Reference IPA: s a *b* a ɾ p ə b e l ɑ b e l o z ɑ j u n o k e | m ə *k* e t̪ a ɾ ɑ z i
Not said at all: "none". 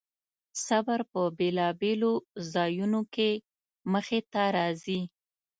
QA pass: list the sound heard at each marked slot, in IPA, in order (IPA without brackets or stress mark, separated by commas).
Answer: b, x